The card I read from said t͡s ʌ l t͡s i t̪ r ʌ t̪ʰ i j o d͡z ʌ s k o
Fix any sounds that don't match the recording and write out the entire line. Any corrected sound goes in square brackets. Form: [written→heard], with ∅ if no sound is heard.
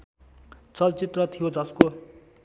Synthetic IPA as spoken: t͡s ʌ l t͡s i t̪ r ʌ t̪ʰ i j o d͡z ʌ s k o